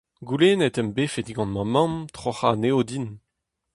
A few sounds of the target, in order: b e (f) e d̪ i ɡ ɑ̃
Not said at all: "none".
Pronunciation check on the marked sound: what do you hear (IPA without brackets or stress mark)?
f